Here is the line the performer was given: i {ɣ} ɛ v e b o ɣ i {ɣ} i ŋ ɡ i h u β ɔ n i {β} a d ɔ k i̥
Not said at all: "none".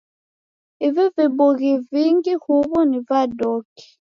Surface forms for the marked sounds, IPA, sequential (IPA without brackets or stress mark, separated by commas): v, v, v